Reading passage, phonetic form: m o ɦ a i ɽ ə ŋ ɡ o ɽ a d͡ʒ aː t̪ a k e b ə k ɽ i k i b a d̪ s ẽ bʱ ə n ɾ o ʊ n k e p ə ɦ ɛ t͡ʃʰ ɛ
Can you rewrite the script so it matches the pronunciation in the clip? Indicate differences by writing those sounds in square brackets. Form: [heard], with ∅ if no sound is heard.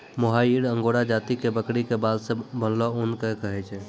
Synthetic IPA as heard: m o ɦ a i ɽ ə ŋ ɡ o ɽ a d͡ʒ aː t̪ [i] k e b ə k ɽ i k [e] b a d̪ s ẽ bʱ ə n [l] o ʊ n k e [k] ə ɦ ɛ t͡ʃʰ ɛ